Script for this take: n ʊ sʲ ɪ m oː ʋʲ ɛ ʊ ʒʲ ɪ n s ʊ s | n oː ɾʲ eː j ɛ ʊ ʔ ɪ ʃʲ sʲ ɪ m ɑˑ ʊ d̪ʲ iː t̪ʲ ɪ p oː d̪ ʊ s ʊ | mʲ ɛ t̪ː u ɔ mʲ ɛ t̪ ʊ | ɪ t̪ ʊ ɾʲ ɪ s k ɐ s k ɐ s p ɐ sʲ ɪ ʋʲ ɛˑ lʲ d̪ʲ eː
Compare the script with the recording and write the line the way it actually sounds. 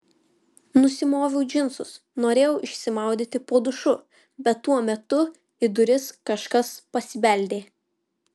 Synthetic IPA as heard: n ʊ sʲ ɪ m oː ʋʲ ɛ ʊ d͡ʒʲ ɪ n s ʊ s | n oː ɾʲ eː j ɛ ʊ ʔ ɪ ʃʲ sʲ ɪ m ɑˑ ʊ d̪ʲ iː t̪ʲ ɪ p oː d̪ ʊ ʃ ʊ | bʲ ɛ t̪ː u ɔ mʲ ɛ t̪ ʊ | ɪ d̪ ʊ ɾʲ ɪ s k ɐ ʃ k ɐ s p ɐ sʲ ɪ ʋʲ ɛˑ lʲ d̪ʲ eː